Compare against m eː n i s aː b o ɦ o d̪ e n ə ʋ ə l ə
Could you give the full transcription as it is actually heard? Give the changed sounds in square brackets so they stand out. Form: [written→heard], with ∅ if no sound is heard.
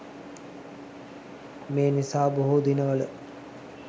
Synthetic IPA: m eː n i s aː b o ɦ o d̪ [e→i] n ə ʋ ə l ə